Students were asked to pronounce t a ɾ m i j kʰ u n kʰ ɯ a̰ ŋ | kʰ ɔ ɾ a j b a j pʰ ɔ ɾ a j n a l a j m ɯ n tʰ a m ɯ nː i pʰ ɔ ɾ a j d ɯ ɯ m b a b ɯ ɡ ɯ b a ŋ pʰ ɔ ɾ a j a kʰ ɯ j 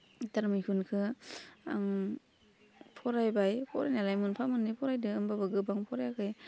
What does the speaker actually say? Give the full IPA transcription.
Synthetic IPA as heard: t a ɾ m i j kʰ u n kʰ ɯ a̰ ŋ | pʰ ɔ ɾ a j b a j pʰ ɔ ɾ a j n a l a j m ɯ n pʰ a m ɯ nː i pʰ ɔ ɾ a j d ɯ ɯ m b a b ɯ ɡ ɯ b a ŋ pʰ ɔ ɾ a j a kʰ ɯ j